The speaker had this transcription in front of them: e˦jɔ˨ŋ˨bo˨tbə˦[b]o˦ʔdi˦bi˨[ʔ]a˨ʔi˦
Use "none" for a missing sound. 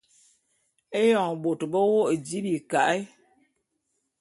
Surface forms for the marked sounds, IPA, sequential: w, k

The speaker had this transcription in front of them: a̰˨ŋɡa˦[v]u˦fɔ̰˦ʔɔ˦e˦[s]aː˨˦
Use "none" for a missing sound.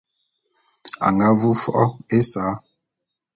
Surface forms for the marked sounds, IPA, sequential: v, s

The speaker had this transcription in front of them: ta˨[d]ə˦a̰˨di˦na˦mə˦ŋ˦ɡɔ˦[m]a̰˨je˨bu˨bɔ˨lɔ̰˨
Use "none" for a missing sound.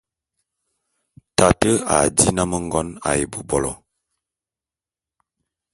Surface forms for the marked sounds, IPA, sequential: t, n

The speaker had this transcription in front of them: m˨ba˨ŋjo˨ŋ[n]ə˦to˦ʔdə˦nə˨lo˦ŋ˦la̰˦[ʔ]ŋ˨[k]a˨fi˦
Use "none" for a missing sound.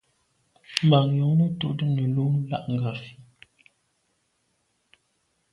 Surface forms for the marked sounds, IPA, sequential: n, ʔ, ɡ

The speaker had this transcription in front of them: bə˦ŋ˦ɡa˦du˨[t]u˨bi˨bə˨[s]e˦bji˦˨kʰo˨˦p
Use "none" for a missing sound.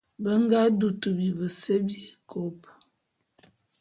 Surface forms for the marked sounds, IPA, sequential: t, s

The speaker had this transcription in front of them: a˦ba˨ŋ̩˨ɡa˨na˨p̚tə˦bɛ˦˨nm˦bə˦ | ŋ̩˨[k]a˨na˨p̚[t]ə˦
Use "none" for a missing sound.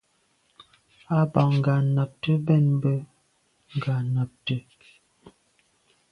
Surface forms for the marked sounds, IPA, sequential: ɡ, t

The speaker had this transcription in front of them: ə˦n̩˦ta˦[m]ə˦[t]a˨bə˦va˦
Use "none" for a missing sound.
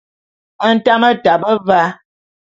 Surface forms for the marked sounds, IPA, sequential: m, t

